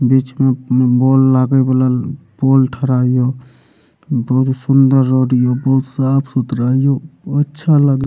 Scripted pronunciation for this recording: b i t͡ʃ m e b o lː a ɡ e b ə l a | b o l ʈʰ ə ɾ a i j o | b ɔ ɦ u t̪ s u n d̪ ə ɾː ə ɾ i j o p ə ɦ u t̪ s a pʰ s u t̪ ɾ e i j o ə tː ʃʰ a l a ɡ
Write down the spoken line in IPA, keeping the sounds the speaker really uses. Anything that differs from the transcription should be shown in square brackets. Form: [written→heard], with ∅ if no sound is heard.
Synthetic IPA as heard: b i t͡ʃ m e b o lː a ɡ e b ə l a | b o l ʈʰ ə ɾ a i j o | b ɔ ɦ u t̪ s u n d̪ ə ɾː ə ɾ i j o [p→b] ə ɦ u t̪ s a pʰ s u t̪ ɾ [e→a] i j o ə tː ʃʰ a l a ɡ